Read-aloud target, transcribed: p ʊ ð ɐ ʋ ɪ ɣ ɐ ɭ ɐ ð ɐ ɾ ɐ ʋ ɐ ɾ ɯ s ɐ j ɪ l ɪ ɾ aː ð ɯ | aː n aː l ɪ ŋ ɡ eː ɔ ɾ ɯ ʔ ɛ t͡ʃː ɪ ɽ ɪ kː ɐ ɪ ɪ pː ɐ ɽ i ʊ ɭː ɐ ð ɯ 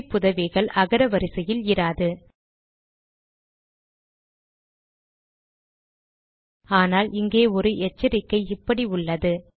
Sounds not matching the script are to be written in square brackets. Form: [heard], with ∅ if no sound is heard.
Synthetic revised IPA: p ʊ ð ɐ ʋ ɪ ɣ ɐ ɭ ɐ [ɣ] ɐ ɾ ɐ ʋ ɐ ɾ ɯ s ɐ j ɪ l ɪ ɾ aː ð ɯ | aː n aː l ɪ ŋ ɡ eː ɔ ɾ ɯ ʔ ɛ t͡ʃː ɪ [ɾ] ɪ kː ɐ ɪ ɪ pː ɐ ɽ i ʊ ɭː ɐ ð ɯ